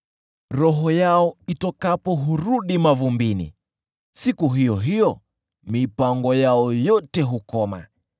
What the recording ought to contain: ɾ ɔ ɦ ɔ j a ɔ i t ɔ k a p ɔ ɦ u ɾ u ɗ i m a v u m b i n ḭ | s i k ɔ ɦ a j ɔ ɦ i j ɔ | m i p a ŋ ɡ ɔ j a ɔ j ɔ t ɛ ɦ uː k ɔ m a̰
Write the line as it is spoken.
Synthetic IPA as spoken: ɾ ɔ ɦ ɔ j a ɔ i t ɔ k a p ɔ ɦ u ɾ u ɗ i m a v u m b i n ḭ | s i k u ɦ i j ɔ ɦ i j ɔ | m i p a ŋ ɡ ɔ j a ɔ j ɔ t ɛ ɦ u k ɔ m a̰